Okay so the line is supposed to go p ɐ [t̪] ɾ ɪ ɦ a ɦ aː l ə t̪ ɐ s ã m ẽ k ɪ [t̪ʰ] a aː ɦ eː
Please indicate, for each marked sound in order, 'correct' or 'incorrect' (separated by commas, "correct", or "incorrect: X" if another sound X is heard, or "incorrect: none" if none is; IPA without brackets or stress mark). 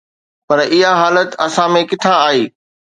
incorrect: none, correct